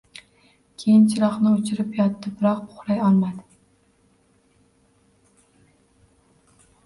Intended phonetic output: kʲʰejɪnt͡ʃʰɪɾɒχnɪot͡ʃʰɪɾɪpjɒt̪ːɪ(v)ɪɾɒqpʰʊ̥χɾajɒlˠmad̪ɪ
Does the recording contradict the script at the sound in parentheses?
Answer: yes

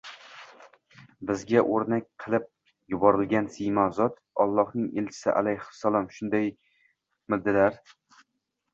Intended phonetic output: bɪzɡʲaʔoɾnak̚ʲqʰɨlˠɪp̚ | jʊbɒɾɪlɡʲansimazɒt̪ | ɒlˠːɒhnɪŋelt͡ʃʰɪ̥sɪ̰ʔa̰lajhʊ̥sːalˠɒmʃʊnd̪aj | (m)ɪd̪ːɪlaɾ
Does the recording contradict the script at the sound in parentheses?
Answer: no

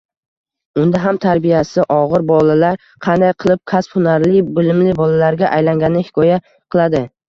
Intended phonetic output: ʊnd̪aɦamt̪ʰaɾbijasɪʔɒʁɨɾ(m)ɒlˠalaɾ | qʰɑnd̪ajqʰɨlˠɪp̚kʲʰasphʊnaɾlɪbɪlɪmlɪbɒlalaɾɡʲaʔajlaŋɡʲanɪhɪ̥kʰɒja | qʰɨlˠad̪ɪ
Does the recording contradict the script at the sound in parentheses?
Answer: yes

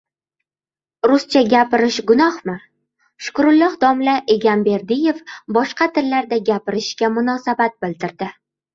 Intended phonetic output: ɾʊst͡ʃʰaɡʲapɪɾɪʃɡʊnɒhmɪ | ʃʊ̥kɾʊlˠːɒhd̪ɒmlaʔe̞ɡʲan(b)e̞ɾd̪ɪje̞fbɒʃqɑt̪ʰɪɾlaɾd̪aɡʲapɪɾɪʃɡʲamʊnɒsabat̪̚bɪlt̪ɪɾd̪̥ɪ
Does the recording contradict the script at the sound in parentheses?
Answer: no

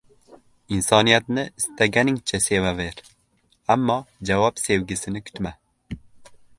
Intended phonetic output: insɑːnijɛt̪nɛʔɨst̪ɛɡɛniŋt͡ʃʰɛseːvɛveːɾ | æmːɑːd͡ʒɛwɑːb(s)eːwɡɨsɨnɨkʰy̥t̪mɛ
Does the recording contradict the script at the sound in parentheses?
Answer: no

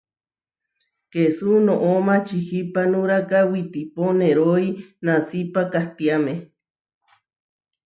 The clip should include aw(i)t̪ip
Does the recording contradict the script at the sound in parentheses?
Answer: no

